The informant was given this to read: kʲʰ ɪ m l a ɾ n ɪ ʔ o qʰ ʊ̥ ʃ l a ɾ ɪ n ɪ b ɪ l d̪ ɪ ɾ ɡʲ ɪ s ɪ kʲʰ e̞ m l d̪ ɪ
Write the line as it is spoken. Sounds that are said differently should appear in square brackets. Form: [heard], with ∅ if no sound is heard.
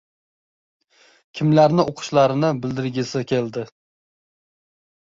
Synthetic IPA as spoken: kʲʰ ɪ m l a ɾ n ɪ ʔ o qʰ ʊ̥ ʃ l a ɾ ɪ n ɪ b ɪ l d̪ ɪ ɾ ɡʲ ɪ s ɪ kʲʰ e̞ [∅] l d̪ ɪ